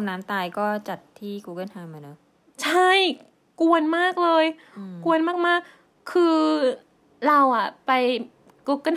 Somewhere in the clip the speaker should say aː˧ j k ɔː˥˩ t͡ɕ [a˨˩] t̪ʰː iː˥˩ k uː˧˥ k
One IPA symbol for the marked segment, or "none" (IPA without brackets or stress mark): a˨˩